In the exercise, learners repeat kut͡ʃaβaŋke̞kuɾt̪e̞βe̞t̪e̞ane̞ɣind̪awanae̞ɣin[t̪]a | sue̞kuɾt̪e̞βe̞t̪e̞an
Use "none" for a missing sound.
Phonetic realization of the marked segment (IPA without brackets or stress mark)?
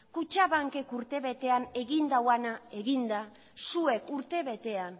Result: d̪